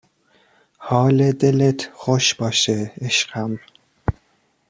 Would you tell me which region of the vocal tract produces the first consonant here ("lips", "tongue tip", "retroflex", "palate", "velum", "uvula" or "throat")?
throat